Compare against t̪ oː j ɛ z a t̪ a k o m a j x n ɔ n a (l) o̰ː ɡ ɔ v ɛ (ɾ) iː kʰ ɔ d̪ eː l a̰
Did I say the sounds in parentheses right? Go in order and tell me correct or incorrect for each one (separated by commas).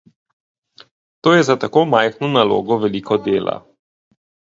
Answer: correct, incorrect